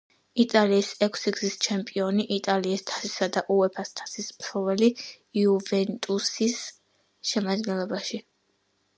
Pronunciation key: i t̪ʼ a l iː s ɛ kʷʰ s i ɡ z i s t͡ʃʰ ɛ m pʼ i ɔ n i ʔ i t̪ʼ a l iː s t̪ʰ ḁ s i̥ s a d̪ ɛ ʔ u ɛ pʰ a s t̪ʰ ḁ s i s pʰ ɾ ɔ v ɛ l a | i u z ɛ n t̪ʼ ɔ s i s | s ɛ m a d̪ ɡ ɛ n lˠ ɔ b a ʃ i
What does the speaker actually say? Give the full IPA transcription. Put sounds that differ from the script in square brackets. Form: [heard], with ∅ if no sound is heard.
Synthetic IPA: i t̪ʼ a l iː s ɛ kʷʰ s i ɡ z i s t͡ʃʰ ɛ m pʼ i ɔ n i ʔ i t̪ʼ a l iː s t̪ʰ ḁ s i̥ s a d̪ [a] ʔ u ɛ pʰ a s t̪ʰ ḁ s i s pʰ ɾ ɔ v ɛ l [i] | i u [v] ɛ n t̪ʼ [u] s i s | [ʃ] ɛ m a d̪ ɡ ɛ n lˠ ɔ b a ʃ i